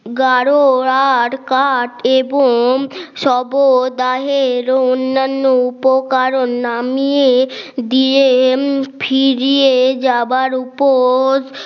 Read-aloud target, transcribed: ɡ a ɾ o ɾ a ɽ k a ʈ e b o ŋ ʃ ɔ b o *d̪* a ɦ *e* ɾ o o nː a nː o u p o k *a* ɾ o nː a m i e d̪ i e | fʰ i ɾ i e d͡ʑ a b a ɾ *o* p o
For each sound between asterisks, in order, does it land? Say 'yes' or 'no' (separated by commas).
yes, yes, yes, no